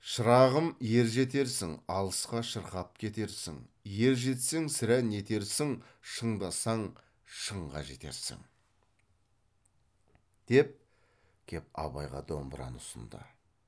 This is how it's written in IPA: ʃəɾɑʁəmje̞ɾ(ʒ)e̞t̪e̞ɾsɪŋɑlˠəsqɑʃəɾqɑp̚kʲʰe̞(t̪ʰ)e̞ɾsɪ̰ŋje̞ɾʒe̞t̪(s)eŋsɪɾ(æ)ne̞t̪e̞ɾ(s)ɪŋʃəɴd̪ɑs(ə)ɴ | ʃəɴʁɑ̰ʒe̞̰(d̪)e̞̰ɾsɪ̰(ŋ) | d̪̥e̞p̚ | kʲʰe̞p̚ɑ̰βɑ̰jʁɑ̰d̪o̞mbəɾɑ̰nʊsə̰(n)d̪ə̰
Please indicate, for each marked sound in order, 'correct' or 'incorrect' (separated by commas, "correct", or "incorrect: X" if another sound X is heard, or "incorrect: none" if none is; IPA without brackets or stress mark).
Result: correct, incorrect: t̪, correct, correct, correct, incorrect: ɑ, incorrect: t̪, correct, correct